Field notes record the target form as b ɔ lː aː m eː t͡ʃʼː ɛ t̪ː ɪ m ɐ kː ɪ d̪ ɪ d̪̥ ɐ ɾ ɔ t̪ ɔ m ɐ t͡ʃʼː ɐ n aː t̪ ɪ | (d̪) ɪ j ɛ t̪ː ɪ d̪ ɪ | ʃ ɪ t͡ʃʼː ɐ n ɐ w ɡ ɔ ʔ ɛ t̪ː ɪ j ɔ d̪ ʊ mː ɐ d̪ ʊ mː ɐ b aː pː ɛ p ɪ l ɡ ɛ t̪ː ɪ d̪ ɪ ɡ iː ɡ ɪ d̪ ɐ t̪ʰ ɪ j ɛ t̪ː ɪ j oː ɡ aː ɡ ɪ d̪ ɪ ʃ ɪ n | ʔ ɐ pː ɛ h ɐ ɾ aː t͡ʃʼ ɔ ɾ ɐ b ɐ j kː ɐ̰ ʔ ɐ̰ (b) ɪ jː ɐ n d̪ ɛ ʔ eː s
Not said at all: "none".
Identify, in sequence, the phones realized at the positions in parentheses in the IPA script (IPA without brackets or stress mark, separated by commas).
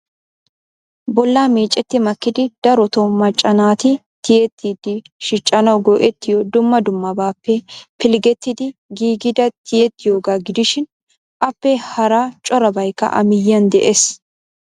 t̪, m